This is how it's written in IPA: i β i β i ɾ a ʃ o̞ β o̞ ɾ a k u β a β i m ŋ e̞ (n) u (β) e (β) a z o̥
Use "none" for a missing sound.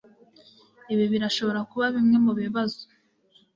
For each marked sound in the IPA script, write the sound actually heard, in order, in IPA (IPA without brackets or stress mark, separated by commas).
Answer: m, β, β